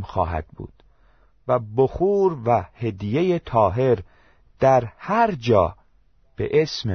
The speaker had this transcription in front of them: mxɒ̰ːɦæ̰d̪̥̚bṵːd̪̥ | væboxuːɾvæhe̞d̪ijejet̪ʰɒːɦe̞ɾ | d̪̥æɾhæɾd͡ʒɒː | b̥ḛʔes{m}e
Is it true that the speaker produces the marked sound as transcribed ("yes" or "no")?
yes